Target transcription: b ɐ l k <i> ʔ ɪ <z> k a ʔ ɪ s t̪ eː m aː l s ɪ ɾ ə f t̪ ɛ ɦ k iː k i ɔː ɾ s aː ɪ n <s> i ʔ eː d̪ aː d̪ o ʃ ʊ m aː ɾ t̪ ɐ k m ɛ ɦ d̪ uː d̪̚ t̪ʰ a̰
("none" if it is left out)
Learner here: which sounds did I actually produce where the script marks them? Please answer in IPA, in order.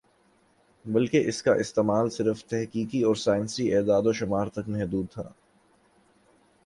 e, s, s

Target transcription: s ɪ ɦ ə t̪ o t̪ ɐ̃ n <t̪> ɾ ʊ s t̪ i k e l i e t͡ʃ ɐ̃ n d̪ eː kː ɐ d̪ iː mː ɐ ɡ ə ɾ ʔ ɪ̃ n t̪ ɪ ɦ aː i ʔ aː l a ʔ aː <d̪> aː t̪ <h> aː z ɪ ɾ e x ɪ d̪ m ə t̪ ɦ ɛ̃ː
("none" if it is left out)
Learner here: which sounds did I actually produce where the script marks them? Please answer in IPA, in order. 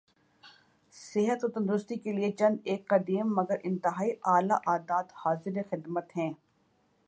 d̪, d̪, h

